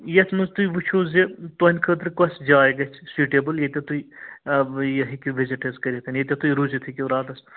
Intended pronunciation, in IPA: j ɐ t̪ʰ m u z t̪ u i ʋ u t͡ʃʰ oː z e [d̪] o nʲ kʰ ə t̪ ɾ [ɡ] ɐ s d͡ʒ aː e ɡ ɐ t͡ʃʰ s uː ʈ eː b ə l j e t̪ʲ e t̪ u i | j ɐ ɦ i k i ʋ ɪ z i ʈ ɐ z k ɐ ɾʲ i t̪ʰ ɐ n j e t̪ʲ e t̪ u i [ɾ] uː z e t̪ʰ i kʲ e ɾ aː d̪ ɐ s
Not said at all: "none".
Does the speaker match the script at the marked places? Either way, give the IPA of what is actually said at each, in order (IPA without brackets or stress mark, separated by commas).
t̪, k, ɾ